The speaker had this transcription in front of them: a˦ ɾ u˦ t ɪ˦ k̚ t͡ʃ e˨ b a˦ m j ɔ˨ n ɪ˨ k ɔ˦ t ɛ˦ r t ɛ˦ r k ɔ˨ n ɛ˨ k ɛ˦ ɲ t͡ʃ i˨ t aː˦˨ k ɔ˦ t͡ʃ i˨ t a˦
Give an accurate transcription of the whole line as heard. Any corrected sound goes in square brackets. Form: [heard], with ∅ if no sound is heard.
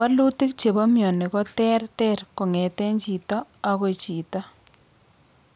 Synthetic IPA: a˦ [l] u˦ t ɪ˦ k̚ t͡ʃ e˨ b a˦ m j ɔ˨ n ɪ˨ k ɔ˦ t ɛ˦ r t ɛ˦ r k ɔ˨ [ŋ] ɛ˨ [t] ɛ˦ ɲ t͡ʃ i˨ t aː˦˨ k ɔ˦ t͡ʃ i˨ t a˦